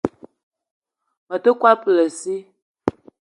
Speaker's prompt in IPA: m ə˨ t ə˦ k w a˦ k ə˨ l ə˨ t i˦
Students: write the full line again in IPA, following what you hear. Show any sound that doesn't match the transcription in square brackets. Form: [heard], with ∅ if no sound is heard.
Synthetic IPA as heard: m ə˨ t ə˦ k w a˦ [p] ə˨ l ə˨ [s] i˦